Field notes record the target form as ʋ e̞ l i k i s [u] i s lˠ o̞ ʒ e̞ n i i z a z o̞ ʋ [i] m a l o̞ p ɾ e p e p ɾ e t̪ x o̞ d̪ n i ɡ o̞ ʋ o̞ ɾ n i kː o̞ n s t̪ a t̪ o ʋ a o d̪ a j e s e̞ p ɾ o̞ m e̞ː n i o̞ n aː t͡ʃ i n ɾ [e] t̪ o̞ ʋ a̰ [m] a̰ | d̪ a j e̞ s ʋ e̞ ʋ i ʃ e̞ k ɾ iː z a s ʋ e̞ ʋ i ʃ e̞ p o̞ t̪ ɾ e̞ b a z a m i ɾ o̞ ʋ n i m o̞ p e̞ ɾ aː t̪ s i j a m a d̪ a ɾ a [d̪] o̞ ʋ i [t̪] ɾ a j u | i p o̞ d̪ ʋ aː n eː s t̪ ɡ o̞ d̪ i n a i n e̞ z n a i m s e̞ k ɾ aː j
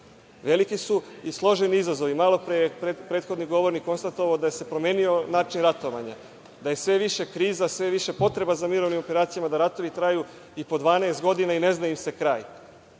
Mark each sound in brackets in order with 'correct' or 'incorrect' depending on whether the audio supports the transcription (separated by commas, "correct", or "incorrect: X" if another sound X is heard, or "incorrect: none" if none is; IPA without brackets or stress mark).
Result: correct, correct, incorrect: a, incorrect: ɲ, incorrect: t̪, correct